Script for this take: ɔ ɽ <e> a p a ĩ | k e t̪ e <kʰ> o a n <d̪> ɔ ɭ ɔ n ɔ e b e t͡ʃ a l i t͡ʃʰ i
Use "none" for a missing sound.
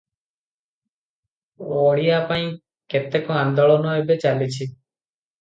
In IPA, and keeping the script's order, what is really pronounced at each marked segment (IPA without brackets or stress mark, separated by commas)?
i, k, d̪